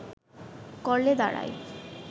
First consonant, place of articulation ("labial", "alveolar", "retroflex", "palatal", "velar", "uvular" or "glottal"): velar